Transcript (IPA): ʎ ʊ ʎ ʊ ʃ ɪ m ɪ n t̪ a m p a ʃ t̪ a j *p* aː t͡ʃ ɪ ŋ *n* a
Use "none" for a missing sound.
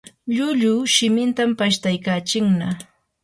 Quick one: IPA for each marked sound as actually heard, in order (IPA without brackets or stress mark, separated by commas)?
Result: k, n